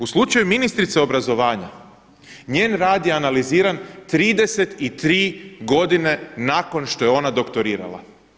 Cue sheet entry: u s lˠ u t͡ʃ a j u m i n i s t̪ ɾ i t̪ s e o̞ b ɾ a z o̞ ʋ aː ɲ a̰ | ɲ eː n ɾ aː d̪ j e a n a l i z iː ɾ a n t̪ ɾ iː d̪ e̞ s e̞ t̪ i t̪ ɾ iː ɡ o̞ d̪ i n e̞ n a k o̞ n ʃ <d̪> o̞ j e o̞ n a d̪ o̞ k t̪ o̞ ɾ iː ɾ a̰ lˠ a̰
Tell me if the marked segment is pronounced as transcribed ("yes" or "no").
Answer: no